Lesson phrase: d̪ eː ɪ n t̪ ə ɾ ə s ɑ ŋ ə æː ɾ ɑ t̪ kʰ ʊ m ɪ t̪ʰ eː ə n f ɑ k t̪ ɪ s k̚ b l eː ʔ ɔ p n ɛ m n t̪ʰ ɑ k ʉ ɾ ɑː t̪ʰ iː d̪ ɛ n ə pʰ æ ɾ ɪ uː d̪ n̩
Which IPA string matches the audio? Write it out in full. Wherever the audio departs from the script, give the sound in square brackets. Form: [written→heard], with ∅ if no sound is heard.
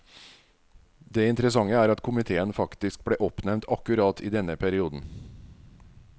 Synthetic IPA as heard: d̪ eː ɪ n t̪ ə ɾ ə s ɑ ŋ ə æː ɾ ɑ t̪ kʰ ʊ m ɪ t̪ʰ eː ə n f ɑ k t̪ ɪ s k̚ b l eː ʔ ɔ p n ɛ m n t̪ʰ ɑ k ʉ ɾ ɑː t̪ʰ iː d̪ ɛ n ə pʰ æ ɾ ɪ uː d̪ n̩